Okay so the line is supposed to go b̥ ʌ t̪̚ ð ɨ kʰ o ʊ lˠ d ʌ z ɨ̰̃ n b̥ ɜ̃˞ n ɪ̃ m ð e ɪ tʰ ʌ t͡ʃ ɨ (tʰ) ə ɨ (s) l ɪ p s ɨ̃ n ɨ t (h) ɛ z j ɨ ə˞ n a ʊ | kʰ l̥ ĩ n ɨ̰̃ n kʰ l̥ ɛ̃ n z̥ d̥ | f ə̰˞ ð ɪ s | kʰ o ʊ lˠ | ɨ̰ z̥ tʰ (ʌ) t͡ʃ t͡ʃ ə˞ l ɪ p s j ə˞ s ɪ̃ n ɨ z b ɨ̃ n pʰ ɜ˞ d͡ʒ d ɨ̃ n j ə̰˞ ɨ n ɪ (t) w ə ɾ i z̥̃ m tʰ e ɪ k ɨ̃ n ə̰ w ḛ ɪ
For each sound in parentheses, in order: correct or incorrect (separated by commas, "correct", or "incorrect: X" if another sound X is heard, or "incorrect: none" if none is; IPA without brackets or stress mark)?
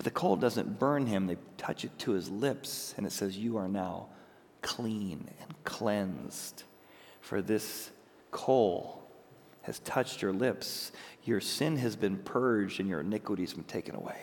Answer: correct, incorrect: z, incorrect: s, correct, incorrect: k